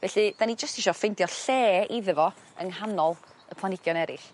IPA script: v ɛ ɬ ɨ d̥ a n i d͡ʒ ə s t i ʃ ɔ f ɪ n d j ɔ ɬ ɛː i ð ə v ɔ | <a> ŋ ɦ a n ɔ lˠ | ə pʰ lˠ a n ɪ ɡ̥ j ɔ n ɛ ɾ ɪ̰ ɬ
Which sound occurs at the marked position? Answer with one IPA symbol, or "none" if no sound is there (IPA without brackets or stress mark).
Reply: ə